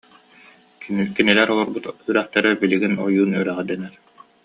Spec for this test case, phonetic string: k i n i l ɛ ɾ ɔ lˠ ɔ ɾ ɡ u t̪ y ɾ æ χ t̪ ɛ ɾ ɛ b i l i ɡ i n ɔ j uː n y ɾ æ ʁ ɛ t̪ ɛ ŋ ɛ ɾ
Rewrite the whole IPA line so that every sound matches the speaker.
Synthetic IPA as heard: k i n i l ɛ ɾ ɔ lˠ ɔ ɾ b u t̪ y ɾ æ χ t̪ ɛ ɾ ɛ b i l i ɡ i n ɔ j uː n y ɾ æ ʁ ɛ d̪ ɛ n ɛ ɾ